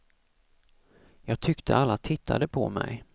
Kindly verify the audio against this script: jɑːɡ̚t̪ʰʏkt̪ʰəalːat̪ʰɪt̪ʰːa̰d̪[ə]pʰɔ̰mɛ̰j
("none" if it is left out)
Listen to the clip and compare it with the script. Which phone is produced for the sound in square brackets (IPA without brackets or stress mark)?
ə